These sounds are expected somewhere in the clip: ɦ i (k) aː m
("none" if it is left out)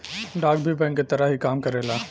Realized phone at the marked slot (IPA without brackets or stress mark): k